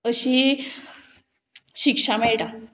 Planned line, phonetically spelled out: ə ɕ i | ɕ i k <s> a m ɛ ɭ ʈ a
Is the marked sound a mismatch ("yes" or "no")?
yes